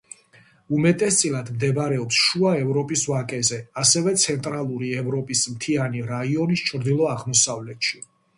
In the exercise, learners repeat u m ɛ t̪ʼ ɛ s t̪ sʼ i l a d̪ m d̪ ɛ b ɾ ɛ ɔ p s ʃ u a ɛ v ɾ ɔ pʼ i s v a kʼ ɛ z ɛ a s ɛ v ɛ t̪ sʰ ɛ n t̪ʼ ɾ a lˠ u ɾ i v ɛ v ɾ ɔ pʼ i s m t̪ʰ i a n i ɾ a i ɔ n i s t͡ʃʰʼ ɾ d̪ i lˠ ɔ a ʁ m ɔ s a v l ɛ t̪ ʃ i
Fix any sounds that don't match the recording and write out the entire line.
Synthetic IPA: u m ɛ t̪ʼ ɛ s t̪ sʼ i l a d̪ m d̪ ɛ b ɾ ɛ ɔ p s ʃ u a ɛ v ɾ ɔ pʼ i s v a kʼ ɛ z ɛ a s ɛ v ɛ t̪ sʰ ɛ n t̪ʼ ɾ a lˠ u ɾ i ɛ v ɾ ɔ pʼ i s m t̪ʰ i a n i ɾ a i ɔ n i s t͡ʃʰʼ ɾ d̪ i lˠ ɔ a ʁ m ɔ s a v l ɛ t̪ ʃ i